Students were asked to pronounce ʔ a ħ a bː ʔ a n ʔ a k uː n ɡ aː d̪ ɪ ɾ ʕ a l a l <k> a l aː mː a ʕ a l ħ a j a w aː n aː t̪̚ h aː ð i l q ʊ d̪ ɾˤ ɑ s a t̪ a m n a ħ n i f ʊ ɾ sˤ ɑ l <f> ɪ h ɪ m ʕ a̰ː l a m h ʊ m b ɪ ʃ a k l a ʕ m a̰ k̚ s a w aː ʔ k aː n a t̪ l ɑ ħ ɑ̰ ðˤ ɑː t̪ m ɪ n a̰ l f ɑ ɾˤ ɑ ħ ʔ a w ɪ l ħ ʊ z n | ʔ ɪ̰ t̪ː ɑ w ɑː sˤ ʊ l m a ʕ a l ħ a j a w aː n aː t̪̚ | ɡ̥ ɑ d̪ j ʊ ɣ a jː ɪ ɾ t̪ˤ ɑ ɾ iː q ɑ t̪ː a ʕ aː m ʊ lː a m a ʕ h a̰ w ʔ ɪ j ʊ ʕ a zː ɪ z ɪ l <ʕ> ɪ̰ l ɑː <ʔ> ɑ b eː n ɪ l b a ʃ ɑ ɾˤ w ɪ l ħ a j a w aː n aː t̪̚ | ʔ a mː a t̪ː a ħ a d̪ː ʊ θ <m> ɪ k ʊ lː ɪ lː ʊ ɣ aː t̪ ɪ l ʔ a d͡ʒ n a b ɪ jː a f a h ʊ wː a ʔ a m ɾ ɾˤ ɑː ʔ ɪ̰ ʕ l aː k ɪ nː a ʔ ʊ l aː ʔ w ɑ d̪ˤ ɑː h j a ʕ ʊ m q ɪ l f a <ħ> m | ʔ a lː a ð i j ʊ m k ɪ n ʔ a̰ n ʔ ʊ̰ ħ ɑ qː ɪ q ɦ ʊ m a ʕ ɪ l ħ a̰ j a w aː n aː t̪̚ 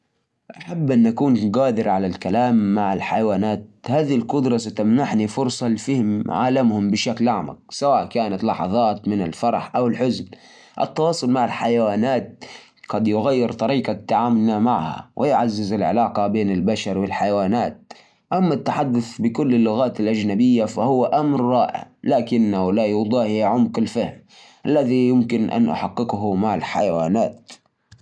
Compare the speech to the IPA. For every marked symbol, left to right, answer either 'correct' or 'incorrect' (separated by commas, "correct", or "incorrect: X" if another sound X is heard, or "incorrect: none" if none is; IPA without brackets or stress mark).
correct, correct, correct, incorrect: q, incorrect: b, incorrect: h